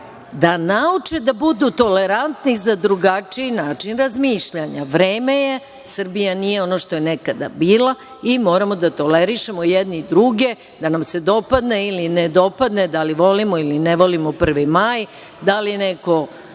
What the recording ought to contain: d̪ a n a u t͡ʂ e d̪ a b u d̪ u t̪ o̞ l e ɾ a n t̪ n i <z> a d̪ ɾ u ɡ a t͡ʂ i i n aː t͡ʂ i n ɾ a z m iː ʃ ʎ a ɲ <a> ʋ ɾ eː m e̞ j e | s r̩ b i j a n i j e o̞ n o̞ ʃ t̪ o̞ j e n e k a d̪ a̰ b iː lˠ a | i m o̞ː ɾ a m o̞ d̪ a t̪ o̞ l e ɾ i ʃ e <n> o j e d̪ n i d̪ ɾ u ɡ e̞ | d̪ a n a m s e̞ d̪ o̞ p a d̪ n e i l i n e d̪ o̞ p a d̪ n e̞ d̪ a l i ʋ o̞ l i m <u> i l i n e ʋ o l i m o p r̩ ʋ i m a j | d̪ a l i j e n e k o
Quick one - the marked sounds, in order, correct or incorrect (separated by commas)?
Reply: correct, correct, incorrect, incorrect